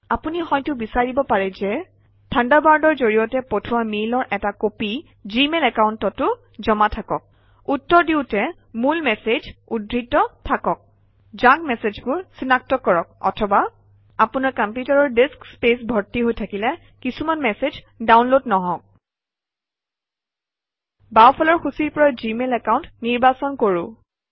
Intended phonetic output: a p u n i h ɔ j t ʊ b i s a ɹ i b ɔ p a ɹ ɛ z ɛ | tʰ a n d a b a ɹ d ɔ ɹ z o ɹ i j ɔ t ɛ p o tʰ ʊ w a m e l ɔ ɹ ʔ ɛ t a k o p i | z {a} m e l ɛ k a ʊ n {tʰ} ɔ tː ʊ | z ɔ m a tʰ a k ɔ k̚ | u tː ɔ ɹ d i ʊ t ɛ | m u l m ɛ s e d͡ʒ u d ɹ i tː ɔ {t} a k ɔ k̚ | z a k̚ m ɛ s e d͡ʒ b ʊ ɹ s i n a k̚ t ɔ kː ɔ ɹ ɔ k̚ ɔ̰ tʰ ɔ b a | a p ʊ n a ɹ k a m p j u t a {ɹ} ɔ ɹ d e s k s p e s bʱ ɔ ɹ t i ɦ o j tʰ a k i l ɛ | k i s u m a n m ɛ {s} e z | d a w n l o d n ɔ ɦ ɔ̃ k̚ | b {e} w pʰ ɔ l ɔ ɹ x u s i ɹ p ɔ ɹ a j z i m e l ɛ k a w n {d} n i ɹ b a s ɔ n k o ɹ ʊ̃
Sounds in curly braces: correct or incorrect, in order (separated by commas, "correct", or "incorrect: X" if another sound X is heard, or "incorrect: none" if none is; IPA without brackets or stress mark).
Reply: incorrect: i, incorrect: t, incorrect: tʰ, correct, correct, incorrect: a, incorrect: t